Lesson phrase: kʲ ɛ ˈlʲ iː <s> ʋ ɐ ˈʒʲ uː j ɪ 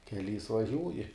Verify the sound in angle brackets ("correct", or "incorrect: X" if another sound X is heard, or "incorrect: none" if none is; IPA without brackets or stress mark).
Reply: correct